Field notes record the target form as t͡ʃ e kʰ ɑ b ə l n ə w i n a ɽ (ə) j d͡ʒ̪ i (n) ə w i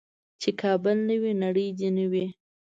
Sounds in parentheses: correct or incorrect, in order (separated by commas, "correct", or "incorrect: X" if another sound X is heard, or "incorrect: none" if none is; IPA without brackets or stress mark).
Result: correct, correct